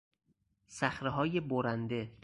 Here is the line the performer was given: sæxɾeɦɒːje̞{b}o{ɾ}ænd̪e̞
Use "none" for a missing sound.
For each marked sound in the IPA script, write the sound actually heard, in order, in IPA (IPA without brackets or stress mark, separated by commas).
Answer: b, ɾ